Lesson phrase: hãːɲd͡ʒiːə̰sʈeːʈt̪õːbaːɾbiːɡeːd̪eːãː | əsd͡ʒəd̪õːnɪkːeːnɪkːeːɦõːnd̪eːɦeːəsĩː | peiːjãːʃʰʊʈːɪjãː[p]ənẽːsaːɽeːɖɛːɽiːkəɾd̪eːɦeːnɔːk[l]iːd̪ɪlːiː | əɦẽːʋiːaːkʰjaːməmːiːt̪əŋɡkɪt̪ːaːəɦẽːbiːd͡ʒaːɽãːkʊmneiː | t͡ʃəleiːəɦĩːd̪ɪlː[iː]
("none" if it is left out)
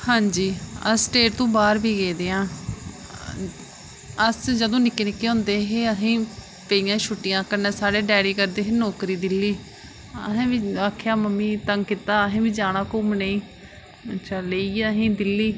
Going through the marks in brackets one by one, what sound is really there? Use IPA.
k, ɾ, iː

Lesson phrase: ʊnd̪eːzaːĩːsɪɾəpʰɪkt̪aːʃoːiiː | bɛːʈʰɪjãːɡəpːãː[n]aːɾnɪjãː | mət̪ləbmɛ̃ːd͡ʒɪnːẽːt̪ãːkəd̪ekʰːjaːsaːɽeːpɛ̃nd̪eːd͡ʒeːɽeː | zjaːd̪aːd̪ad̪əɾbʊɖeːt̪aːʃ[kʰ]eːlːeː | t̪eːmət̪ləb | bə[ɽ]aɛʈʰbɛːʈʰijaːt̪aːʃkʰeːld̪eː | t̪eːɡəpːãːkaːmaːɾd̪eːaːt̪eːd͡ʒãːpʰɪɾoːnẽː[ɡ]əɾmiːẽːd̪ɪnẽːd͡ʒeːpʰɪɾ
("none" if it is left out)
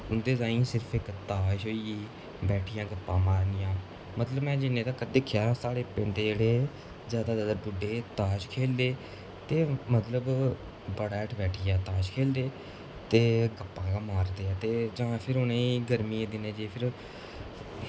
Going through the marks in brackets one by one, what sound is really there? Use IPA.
m, kʰ, ɽ, ɡ

